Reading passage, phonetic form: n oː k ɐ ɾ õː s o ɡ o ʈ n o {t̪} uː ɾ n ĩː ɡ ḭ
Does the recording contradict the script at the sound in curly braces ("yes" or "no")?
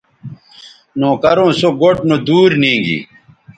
yes